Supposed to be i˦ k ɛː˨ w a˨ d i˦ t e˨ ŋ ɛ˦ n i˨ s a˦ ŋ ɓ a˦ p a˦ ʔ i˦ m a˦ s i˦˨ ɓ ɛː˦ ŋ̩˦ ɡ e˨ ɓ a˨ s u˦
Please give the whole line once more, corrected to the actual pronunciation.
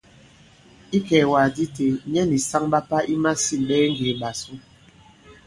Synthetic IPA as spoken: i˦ k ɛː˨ w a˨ d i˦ t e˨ ɲ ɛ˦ n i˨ s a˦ ŋ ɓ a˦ p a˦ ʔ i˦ m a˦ s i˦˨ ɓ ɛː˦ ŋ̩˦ ɡ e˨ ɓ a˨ s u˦